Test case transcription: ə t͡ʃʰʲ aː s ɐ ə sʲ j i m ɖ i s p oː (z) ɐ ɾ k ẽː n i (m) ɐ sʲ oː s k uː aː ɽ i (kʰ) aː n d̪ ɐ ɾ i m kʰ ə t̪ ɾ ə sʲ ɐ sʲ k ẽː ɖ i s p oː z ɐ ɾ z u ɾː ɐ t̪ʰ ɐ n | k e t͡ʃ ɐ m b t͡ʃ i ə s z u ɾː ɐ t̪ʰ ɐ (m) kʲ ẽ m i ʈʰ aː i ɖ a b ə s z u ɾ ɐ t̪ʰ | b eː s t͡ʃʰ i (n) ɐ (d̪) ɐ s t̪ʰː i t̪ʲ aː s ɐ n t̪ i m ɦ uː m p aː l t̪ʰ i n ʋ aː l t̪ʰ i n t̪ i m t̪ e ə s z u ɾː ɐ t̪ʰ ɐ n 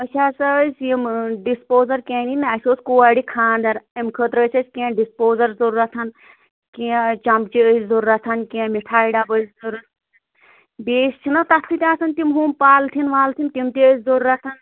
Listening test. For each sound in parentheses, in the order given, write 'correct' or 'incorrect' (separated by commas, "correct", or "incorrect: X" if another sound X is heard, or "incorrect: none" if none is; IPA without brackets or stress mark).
correct, incorrect: n, correct, incorrect: n, correct, incorrect: t̪